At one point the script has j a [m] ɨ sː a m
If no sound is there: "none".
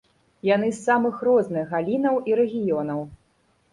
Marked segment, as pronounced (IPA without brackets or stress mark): n